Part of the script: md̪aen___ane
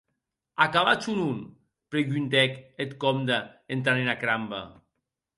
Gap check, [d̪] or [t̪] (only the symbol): t̪